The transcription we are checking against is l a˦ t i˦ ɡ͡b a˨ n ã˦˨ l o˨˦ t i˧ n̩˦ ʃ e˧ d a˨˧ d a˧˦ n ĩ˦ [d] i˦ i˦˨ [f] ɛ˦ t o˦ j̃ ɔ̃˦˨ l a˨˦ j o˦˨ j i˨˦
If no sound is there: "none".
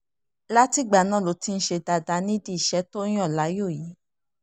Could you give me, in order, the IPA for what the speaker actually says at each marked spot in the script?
d, ʃ

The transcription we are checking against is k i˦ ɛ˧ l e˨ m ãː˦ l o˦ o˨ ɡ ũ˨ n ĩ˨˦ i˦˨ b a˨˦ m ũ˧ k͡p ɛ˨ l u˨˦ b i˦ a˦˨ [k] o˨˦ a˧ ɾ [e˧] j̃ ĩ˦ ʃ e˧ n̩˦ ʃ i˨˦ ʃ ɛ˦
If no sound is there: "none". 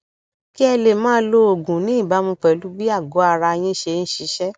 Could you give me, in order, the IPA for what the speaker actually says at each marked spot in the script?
ɡ, a˧

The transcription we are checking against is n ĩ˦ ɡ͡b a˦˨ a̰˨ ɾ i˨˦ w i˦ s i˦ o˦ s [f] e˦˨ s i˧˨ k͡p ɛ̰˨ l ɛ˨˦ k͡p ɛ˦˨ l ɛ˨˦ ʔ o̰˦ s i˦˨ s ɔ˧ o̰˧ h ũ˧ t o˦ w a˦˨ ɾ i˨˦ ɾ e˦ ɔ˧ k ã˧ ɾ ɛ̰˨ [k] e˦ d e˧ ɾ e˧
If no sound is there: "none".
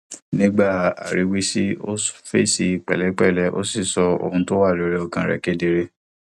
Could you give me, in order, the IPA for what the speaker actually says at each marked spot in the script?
f, k

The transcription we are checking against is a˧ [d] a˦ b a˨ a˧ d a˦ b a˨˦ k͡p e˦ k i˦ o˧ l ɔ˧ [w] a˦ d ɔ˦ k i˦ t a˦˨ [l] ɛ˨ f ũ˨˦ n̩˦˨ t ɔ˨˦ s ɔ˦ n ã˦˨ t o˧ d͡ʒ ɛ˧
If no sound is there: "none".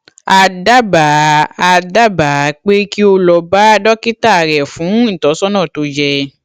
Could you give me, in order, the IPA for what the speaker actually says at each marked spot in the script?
d, b, ɾ

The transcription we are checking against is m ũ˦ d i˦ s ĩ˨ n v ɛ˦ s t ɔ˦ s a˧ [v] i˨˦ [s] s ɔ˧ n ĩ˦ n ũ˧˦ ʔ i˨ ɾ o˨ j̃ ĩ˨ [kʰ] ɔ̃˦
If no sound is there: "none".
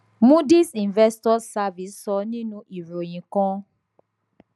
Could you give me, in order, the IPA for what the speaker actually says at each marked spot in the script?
v, s, k

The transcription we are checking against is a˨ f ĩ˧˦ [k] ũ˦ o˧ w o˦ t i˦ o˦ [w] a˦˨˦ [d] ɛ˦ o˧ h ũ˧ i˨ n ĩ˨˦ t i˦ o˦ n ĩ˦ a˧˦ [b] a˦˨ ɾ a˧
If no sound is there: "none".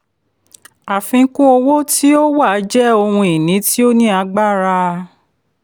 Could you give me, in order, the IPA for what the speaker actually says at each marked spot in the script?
k, w, d͡ʒ, ɡ͡b

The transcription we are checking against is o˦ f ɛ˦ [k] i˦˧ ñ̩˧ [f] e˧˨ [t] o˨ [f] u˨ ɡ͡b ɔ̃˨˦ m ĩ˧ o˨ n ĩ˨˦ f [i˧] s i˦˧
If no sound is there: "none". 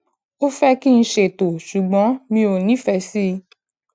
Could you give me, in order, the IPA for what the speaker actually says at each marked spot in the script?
k, ʃ, t, ʃ, ɛ˧

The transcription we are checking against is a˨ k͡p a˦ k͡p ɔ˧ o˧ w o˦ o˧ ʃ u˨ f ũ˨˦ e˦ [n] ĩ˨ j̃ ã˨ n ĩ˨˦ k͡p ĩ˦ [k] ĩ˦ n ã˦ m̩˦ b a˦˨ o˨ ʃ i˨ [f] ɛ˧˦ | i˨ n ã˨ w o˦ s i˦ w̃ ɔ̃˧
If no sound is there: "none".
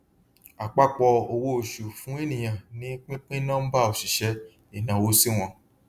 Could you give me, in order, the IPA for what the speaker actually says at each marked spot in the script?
n, k͡p, ʃ

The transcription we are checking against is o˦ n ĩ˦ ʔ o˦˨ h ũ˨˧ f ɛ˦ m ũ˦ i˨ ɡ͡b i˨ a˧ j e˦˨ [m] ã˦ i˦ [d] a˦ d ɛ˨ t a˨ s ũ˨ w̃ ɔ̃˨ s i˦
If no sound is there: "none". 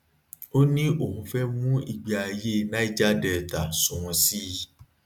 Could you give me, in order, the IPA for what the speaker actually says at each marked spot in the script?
n, d͡ʒ

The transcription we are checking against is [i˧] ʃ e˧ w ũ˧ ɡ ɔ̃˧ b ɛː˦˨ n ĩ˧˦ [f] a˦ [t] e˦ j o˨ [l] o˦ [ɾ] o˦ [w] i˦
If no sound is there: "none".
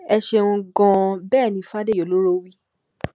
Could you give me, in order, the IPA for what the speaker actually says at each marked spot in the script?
ɛ˧, f, d, l, ɾ, w

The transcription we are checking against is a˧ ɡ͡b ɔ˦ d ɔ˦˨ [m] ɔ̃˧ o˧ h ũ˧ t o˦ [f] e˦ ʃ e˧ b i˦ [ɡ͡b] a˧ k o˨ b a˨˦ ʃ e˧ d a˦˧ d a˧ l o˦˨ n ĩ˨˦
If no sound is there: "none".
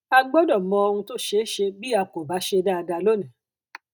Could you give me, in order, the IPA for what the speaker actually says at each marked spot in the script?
m, ʃ, none

